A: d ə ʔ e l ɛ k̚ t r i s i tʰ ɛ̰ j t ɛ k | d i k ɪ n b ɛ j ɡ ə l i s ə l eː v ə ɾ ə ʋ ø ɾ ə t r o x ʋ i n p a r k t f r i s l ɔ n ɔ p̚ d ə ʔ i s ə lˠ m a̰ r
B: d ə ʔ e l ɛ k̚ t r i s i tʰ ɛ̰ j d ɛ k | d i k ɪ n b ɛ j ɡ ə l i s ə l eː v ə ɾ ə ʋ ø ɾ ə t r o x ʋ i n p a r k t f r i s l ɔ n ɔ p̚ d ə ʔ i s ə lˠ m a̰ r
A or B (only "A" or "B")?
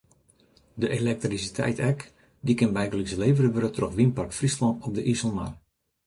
A